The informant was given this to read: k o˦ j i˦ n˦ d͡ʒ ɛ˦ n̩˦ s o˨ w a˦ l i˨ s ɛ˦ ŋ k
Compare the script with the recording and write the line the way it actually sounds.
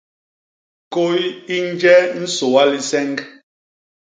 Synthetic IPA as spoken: k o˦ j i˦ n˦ d͡ʒ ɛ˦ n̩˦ s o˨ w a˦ l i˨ s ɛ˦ ŋ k